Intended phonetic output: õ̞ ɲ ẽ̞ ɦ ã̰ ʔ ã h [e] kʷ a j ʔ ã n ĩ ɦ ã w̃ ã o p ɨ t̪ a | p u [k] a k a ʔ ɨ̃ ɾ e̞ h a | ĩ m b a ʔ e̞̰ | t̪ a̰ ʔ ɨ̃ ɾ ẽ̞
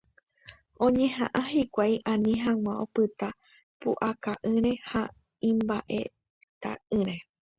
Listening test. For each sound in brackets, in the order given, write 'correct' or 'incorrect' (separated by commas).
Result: incorrect, incorrect